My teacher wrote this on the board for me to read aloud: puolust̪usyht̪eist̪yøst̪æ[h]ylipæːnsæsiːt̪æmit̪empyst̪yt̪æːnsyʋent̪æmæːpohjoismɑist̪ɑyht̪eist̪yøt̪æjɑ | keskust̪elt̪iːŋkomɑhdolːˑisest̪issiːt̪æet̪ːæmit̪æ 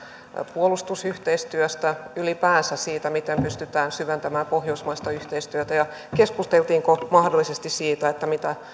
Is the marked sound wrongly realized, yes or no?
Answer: yes